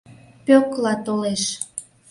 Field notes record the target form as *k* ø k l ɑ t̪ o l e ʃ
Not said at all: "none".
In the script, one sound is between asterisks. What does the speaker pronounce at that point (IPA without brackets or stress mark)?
p